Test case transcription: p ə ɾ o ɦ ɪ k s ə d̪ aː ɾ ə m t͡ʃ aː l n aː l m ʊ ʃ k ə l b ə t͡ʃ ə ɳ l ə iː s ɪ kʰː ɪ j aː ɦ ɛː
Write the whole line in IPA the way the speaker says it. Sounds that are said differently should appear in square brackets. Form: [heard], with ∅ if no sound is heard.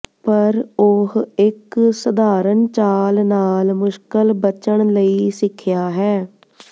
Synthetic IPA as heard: p ə ɾ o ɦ ɪ k s ə d̪ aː ɾ ə [n] t͡ʃ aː l n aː l m ʊ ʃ k ə l b ə t͡ʃ ə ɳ l ə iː s ɪ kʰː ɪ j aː ɦ ɛː